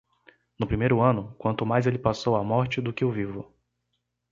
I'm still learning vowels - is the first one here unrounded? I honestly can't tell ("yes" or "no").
no